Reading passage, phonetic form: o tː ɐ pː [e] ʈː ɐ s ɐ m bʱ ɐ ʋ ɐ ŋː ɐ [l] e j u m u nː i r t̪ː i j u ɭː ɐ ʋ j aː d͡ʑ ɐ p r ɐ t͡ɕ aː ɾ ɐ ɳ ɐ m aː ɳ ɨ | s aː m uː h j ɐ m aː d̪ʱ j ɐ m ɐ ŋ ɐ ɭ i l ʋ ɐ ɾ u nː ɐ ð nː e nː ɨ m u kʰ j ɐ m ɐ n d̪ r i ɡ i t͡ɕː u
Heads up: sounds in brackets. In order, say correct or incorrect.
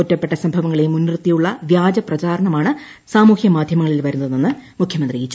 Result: correct, incorrect

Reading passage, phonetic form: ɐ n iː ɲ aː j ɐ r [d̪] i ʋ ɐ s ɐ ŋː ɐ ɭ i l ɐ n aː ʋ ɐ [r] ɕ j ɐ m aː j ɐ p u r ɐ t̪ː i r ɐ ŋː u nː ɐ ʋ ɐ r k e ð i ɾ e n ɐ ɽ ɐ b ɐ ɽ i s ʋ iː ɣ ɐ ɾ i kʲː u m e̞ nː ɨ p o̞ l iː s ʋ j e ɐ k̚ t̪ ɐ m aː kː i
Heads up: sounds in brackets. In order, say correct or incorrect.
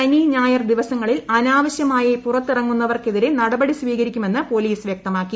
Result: correct, incorrect

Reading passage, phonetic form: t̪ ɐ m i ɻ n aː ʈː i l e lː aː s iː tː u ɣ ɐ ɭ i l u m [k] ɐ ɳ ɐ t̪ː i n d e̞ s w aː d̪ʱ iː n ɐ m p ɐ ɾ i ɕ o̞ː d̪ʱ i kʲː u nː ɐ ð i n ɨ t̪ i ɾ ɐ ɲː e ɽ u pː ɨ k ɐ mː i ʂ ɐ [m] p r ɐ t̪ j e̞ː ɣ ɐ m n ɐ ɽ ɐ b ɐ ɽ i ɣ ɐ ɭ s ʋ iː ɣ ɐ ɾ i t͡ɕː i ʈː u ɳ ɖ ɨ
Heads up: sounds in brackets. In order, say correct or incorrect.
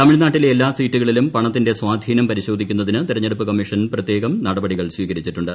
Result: incorrect, incorrect

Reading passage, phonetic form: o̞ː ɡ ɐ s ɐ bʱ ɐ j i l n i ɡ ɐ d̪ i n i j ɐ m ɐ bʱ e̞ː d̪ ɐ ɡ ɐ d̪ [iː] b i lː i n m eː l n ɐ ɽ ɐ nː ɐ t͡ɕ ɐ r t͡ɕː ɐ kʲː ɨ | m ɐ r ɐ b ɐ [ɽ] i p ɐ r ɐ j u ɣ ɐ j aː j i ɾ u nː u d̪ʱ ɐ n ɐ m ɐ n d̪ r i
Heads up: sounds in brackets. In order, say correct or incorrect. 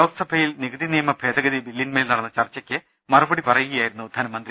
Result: incorrect, correct

